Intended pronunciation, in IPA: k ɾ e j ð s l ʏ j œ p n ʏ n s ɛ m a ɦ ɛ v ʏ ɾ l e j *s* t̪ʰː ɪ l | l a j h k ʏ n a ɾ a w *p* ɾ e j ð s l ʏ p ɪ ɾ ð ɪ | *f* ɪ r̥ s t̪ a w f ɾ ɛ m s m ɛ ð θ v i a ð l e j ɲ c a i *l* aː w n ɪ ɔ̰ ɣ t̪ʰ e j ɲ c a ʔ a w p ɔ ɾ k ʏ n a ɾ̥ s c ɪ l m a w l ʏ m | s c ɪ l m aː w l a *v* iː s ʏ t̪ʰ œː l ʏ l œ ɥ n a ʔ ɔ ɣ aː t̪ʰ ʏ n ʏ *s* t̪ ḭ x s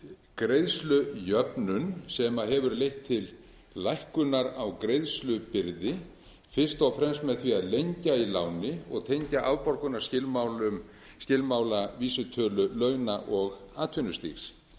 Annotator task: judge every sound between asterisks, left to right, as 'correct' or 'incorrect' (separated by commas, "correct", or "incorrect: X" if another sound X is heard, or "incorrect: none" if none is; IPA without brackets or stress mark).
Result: incorrect: h, incorrect: k, correct, correct, correct, correct